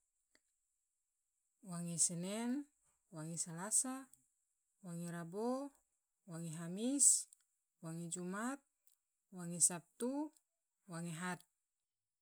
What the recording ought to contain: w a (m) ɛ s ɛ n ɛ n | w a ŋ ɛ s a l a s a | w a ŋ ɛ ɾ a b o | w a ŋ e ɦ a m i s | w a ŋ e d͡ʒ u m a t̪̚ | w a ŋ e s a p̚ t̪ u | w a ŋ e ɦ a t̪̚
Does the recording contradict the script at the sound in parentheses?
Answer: yes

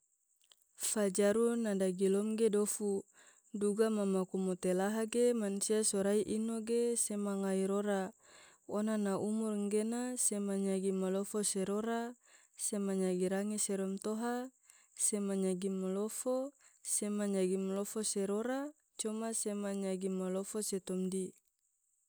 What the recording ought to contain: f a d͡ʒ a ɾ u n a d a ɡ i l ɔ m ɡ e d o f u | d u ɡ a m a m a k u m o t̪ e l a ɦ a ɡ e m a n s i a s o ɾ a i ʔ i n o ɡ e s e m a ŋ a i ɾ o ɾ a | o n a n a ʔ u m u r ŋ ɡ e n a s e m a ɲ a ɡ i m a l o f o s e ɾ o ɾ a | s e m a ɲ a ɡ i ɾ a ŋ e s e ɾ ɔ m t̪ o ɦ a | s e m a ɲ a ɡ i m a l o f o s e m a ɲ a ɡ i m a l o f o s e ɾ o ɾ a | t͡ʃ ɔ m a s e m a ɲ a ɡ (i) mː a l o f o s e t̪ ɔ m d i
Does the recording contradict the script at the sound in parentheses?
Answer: no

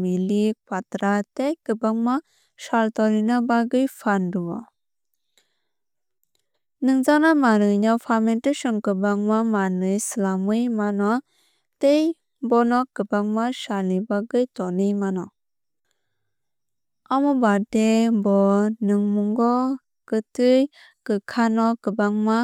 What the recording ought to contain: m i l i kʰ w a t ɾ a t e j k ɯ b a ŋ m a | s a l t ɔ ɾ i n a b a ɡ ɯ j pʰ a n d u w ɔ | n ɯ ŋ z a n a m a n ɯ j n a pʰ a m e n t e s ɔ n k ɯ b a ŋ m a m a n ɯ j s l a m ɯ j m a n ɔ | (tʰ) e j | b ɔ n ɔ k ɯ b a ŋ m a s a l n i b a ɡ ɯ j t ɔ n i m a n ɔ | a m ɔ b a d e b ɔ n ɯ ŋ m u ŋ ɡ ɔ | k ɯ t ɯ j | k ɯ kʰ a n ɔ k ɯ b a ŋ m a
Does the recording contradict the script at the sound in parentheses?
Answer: yes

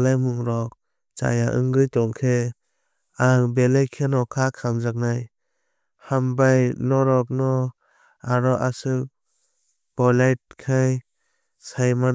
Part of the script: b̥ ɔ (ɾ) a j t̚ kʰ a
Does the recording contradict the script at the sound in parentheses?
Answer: yes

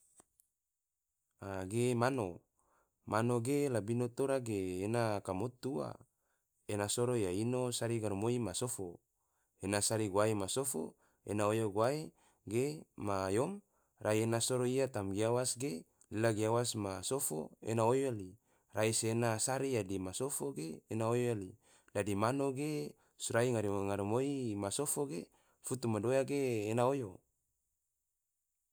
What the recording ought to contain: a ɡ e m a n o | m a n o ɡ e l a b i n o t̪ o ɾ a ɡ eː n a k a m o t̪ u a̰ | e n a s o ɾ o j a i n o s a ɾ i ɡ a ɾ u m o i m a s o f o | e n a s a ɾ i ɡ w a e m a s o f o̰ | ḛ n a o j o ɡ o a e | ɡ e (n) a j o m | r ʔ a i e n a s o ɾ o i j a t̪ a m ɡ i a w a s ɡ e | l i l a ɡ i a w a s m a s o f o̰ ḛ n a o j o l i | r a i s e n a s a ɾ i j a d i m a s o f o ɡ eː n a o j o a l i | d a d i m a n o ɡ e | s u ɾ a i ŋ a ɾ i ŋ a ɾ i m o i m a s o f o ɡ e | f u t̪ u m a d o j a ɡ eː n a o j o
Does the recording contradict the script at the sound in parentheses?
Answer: yes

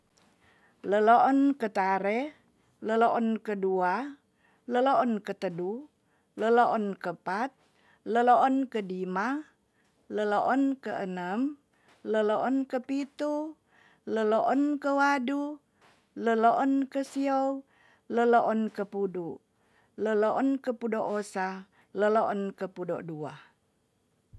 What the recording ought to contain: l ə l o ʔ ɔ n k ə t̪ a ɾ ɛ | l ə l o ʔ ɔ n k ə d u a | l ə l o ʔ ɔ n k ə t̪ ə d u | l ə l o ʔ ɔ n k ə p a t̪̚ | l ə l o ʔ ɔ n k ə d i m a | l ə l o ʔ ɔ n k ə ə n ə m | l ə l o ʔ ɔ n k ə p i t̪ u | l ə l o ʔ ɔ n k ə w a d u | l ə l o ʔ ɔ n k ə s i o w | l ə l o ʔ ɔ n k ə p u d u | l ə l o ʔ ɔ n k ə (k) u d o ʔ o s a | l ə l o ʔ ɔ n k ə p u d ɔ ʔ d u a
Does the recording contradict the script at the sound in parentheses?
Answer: yes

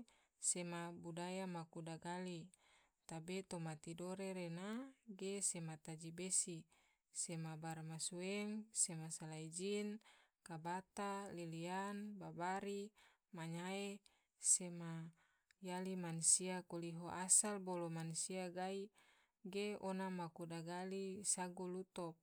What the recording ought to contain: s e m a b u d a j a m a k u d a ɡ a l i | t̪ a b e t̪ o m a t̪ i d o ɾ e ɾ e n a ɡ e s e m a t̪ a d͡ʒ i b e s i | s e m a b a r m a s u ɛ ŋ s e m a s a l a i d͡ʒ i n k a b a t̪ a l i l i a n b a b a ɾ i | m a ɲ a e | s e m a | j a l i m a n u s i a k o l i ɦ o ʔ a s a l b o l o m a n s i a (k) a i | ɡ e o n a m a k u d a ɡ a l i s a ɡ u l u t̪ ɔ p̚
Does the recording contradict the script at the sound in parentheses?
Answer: yes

